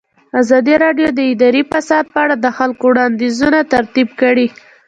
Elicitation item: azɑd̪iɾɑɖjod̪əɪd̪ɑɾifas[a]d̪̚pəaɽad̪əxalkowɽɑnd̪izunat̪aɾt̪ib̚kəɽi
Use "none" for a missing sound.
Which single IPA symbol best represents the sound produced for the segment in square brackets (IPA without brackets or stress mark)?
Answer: ɑ